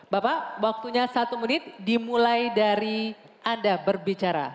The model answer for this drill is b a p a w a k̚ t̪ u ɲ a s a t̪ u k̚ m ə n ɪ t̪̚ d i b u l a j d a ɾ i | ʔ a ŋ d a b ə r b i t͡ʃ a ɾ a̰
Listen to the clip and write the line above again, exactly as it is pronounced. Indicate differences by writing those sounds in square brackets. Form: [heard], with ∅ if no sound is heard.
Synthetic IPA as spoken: b a p a w a k̚ t̪ u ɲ a s a t̪ u [∅] m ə n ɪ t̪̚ d i [m] u l a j d a ɾ i | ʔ a [n] d a b ə r b i t͡ʃ a ɾ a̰